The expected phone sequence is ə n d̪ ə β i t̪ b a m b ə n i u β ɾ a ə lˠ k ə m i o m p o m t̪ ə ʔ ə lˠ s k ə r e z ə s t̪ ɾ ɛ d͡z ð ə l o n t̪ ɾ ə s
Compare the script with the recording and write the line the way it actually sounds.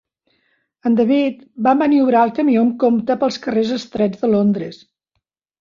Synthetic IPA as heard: ə n d̪ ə β i t̪ b a m b ə n i u β ɾ a ə lˠ k ə m i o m k o m t̪ ə p ə lˠ s k ə r e z ə s t̪ ɾ ɛ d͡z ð ə l o n d̪ ɾ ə s